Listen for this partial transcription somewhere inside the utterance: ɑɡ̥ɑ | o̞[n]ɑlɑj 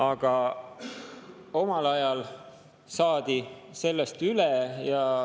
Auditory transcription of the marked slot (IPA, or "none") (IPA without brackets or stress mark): m